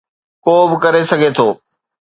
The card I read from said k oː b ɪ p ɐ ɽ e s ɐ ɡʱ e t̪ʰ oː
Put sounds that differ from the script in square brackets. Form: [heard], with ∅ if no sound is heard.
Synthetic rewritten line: k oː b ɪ [k] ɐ [ɾ] e s ɐ ɡʱ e t̪ʰ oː